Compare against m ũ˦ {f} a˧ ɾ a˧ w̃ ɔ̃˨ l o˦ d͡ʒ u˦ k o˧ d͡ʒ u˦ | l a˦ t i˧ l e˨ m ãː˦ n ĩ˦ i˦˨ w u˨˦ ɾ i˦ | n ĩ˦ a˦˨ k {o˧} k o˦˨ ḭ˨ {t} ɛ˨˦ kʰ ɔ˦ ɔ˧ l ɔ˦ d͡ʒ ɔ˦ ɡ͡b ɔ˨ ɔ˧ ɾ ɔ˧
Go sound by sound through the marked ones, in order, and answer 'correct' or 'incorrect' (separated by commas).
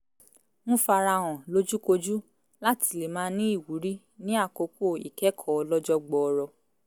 correct, correct, incorrect